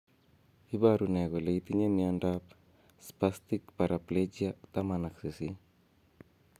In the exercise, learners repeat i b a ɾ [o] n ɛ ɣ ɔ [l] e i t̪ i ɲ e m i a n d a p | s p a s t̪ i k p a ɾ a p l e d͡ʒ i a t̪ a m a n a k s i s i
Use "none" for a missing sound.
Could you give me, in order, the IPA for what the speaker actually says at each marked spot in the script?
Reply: u, l

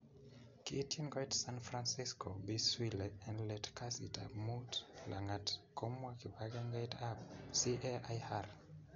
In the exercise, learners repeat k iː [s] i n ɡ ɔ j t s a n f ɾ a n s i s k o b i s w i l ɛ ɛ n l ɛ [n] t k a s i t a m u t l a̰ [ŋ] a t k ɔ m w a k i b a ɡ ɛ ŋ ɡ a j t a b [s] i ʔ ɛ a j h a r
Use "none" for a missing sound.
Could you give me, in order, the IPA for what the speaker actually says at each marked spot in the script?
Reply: t, none, ŋ, s

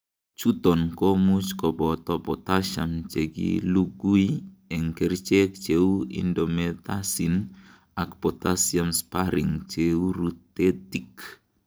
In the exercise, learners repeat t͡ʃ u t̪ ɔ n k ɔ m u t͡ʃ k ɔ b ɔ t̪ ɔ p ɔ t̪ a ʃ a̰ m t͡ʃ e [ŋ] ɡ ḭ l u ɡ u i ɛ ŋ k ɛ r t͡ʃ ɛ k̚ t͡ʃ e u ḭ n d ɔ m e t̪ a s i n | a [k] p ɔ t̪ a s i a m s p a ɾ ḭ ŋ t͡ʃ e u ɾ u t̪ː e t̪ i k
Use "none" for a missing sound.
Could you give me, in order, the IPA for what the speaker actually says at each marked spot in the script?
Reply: none, k

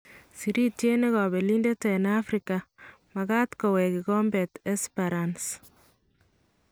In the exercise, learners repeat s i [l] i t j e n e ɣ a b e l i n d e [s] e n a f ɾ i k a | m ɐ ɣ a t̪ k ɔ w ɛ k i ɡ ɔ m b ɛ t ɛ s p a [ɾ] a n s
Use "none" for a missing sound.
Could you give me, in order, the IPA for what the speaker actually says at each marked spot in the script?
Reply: ɾ, t, ɾ

